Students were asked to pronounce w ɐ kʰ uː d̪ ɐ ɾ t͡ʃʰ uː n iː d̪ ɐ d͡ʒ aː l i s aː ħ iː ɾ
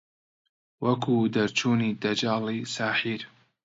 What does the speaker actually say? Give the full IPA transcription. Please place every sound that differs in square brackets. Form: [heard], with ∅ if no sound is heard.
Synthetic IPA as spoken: w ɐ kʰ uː d̪ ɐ ɾ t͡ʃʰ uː n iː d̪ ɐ d͡ʒ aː l i s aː ħ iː ɾ